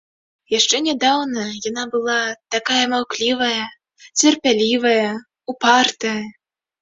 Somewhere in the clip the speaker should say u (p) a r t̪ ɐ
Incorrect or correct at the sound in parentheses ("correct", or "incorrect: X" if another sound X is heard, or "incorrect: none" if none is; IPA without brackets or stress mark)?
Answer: correct